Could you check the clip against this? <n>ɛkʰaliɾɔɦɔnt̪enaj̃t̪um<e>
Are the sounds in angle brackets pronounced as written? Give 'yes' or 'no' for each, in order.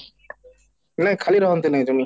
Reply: yes, no

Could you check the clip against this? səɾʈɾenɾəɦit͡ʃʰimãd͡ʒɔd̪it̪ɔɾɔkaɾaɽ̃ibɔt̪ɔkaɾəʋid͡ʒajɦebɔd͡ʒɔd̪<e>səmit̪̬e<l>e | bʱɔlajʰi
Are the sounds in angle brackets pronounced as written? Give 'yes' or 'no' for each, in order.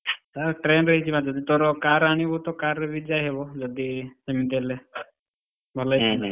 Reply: no, yes

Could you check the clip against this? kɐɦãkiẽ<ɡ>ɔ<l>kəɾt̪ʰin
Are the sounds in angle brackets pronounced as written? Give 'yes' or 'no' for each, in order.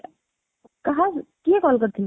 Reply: no, yes

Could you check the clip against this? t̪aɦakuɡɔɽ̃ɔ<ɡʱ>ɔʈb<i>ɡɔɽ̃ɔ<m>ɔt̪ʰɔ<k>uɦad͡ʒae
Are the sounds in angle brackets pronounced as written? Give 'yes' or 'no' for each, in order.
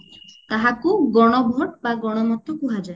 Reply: no, no, yes, yes

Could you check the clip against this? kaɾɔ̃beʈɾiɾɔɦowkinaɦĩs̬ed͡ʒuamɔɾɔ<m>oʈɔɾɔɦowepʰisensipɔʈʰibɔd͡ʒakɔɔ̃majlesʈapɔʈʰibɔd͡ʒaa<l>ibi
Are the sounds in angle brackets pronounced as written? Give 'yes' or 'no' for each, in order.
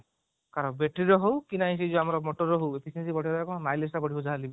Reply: yes, yes

